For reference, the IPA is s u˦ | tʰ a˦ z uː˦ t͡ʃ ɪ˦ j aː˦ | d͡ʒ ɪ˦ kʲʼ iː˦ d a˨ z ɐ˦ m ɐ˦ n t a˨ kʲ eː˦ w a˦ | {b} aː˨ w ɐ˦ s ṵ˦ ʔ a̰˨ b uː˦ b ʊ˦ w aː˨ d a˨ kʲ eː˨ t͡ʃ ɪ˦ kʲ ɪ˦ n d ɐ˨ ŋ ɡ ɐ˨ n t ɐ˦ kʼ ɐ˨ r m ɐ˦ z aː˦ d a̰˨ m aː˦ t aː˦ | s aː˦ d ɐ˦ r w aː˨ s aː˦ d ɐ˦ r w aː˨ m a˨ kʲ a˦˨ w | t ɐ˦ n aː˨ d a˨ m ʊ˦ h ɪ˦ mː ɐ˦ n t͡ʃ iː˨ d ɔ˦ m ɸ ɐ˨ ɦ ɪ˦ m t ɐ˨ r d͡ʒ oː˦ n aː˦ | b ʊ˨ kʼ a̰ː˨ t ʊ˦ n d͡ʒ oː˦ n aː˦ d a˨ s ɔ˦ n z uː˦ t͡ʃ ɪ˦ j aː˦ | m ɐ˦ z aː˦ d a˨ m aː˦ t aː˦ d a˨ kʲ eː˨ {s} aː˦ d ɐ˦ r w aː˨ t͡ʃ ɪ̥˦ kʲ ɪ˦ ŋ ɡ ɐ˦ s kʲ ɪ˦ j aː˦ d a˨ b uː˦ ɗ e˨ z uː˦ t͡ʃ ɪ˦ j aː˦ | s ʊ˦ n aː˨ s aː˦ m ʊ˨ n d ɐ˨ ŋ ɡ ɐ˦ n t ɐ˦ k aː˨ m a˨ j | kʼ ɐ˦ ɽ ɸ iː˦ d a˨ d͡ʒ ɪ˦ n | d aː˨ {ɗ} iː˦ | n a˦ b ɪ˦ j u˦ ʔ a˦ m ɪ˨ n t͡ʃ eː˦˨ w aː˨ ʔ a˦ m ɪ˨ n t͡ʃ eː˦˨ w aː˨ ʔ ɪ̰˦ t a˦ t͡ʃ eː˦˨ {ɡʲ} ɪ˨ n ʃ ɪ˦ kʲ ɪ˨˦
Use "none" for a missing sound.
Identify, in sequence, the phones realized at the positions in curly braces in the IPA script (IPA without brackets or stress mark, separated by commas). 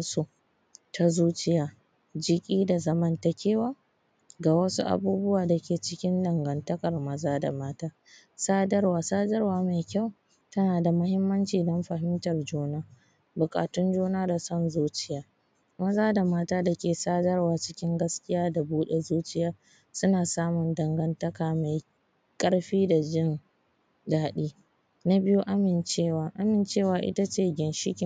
ɡ, s, ɗ, ɡʲ